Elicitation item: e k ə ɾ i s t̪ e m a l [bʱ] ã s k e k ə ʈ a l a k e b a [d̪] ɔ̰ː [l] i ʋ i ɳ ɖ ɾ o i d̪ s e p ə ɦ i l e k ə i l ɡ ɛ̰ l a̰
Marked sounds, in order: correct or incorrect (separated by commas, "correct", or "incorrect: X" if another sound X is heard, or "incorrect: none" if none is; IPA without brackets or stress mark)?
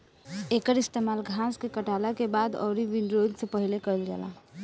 incorrect: ɡʱ, correct, incorrect: ɾ